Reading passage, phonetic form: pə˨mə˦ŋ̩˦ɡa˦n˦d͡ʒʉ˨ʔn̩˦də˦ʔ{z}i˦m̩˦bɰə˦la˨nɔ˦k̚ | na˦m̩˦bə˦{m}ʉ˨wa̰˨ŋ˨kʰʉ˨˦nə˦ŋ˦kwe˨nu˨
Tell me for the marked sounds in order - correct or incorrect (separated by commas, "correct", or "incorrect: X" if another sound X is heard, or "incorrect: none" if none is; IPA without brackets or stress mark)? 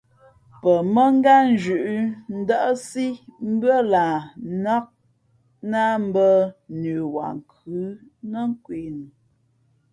incorrect: s, incorrect: n